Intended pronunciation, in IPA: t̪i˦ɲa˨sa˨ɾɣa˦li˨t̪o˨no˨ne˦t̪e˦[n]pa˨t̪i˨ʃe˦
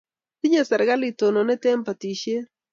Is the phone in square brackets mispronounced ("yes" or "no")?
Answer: yes